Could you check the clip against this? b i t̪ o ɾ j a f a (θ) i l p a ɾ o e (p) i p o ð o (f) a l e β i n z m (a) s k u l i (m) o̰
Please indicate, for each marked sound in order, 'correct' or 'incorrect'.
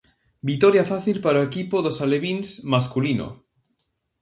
correct, incorrect, incorrect, correct, incorrect

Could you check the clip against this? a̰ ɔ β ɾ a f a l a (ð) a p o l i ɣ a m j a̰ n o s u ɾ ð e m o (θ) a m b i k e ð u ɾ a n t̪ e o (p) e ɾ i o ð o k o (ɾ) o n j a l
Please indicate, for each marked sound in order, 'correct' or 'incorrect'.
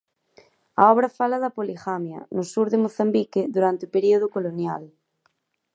correct, correct, correct, incorrect

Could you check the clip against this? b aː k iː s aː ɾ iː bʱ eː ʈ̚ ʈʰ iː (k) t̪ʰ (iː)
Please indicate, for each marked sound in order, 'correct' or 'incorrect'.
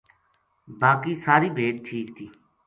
correct, correct

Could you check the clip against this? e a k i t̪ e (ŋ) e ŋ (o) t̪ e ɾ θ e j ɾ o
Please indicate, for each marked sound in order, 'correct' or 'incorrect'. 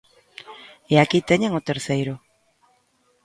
incorrect, correct

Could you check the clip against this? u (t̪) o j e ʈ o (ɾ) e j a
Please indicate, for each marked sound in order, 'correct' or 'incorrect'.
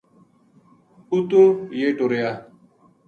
correct, correct

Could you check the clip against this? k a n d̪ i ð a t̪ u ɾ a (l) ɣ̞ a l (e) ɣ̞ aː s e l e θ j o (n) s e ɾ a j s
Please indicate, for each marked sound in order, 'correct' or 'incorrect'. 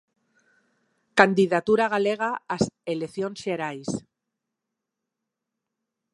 incorrect, correct, correct

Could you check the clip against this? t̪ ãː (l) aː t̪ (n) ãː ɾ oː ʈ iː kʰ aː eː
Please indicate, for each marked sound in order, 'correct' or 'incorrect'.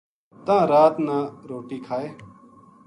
incorrect, correct

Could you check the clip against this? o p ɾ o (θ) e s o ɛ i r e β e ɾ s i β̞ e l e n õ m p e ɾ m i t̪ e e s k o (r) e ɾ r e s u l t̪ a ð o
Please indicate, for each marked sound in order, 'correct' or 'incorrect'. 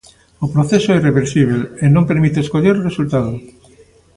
correct, incorrect

